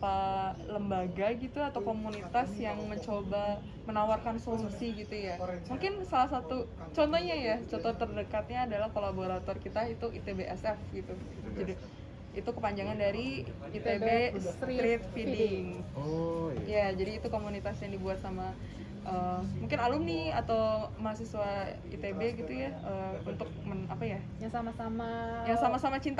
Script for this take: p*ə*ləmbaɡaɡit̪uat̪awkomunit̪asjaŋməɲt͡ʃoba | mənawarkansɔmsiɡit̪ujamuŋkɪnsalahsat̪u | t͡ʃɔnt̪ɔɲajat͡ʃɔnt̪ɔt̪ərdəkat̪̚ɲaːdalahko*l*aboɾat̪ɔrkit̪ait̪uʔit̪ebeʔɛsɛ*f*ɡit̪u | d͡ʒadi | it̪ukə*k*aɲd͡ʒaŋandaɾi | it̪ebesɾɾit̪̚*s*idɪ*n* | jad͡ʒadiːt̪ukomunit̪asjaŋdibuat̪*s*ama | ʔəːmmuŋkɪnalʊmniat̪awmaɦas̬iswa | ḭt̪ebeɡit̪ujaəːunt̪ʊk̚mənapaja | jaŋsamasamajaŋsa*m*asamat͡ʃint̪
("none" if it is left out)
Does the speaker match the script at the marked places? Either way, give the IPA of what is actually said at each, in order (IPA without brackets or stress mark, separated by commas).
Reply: a, l, f, p, f, ŋ, s, m